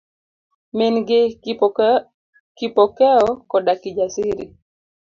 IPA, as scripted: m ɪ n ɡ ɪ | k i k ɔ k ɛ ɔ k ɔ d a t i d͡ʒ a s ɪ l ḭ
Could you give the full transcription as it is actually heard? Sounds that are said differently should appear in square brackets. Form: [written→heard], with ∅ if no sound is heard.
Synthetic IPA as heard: m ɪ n ɡ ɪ | k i [k→p] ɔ k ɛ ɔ k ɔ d a [t→k] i d͡ʒ a s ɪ [l→ɾ] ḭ